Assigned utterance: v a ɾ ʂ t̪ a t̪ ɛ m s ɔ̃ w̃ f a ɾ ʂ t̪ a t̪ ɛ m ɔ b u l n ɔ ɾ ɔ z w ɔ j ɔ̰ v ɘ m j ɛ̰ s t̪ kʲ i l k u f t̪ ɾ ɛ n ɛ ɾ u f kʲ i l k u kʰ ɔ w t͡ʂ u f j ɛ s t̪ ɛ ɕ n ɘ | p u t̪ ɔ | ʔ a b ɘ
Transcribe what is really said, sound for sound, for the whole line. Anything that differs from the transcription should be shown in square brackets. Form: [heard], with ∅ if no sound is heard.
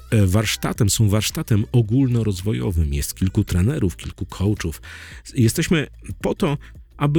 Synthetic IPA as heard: v a ɾ ʂ t̪ a t̪ ɛ m s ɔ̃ w̃ [v] a ɾ ʂ t̪ a t̪ ɛ m ɔ [ɡ] u l n ɔ ɾ ɔ z [v] ɔ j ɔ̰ v ɘ m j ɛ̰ s t̪ kʲ i l k u [∅] t̪ ɾ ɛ n ɛ ɾ u f kʲ i l k u kʰ ɔ w t͡ʂ u f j ɛ s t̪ ɛ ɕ [m] ɘ | p [ɔ] t̪ ɔ | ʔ a b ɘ